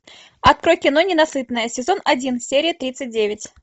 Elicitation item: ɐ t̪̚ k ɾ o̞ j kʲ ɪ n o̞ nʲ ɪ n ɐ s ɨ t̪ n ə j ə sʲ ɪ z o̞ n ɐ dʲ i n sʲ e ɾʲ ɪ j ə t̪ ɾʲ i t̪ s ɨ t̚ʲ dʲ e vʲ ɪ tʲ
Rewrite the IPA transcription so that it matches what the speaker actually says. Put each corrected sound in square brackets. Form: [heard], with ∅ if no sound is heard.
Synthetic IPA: ɐ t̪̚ k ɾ o̞ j kʲ ɪ n o̞ nʲ ɪ n ɐ s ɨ t̪ n ə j ə sʲ ɪ z o̞ n ɐ dʲ i n sʲ e ɾʲ ɪ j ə t̪ ɾʲ i t̪ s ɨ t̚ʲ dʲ e vʲ ɪ tʲ